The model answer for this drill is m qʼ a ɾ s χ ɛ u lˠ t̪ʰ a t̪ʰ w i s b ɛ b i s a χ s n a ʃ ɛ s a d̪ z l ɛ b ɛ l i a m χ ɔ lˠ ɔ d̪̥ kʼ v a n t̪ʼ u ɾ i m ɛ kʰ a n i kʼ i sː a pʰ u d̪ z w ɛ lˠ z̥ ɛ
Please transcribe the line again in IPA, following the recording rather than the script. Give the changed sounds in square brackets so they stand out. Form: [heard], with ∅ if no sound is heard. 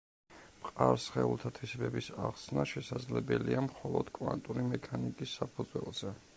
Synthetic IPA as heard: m qʼ a ɾ s χ ɛ u lˠ t̪ʰ a t̪ʰ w i s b ɛ b i s a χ s n a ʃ ɛ s a d̪ z l ɛ b ɛ l i a m χ ɔ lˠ ɔ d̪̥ kʼ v a n t̪ʼ u ɾ i m ɛ kʰ a n i kʼ i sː a pʰ u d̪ z w ɛ lˠ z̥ ɛ